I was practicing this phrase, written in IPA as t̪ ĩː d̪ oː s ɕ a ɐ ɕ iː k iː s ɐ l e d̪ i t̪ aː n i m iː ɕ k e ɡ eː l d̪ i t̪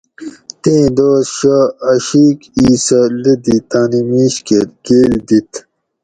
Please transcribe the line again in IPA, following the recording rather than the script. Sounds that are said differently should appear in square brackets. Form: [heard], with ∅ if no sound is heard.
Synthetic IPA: t̪ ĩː d̪ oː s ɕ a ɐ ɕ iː k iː s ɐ l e d̪ i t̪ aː n i m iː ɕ k e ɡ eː l d̪ i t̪